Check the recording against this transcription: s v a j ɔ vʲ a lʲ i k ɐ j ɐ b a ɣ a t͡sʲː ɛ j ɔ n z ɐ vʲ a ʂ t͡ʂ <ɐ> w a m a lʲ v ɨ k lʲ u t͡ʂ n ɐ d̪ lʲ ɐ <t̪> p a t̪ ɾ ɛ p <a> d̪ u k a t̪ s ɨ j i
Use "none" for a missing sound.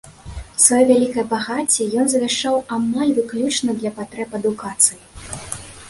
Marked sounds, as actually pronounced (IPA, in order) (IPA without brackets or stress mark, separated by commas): a, none, ɐ